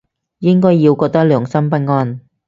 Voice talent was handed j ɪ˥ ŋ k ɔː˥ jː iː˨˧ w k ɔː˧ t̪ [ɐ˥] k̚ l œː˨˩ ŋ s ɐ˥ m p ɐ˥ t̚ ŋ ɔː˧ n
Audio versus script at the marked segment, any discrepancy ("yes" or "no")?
no